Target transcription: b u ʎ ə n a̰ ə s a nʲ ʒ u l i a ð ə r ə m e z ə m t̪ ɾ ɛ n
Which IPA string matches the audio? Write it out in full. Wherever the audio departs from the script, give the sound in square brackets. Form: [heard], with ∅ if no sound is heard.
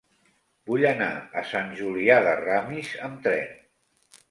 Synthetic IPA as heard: b u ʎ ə n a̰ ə s a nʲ ʒ u l i a ð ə r [a] m [i] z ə m t̪ ɾ ɛ n